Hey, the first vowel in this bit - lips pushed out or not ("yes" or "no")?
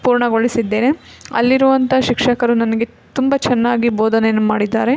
yes